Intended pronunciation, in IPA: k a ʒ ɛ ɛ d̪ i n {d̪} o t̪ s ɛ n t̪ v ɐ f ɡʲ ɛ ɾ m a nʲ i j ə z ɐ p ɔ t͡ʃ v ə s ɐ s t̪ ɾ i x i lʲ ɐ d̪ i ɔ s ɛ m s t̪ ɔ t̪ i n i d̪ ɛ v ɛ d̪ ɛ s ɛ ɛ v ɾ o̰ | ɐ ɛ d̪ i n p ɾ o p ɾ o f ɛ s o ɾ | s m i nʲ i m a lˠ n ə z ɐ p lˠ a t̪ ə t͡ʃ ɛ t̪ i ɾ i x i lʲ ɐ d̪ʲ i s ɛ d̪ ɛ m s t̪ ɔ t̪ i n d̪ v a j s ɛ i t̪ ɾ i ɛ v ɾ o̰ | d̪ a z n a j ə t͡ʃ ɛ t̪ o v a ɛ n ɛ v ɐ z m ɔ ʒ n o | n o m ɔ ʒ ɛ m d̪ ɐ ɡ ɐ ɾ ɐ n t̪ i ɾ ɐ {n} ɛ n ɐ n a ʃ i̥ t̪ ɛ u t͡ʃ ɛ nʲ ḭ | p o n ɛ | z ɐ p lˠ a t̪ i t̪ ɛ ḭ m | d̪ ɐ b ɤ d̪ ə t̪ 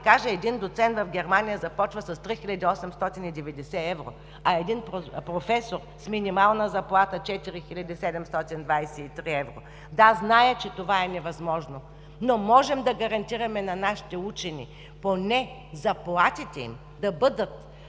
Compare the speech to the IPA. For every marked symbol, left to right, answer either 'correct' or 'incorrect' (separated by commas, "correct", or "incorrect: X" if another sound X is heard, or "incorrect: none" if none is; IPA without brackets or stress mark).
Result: correct, incorrect: m